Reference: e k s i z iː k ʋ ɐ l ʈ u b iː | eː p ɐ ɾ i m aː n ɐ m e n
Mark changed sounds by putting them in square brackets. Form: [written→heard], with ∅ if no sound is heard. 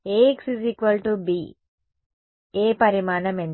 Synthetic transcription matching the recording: e k s i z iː k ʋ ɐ l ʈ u b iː | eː p ɐ ɾ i m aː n ɐ m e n